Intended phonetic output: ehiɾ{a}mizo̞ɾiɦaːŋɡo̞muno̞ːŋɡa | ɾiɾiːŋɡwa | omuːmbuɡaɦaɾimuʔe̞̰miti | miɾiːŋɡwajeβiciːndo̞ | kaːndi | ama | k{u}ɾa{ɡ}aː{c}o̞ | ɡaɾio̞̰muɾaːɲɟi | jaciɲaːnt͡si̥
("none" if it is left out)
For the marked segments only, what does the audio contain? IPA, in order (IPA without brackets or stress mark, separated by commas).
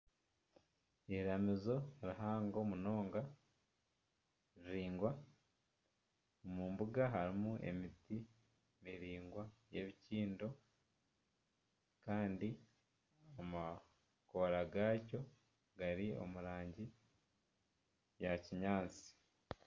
a, o, ɡ, c